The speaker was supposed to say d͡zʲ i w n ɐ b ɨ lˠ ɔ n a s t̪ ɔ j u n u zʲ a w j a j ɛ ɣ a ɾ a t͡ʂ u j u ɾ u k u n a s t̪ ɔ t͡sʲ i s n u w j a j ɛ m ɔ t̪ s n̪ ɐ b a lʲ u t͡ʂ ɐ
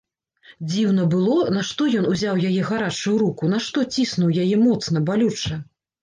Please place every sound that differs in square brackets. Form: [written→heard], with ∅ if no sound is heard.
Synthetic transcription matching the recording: d͡zʲ i w n ɐ b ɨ lˠ ɔ n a [s→ʂ] t̪ ɔ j [u→ɔ] n u zʲ a w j a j ɛ ɣ a ɾ a t͡ʂ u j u ɾ u k u n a [s→ʂ] t̪ ɔ t͡sʲ i s n u w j a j ɛ m ɔ t̪ s n̪ ɐ b a lʲ u t͡ʂ ɐ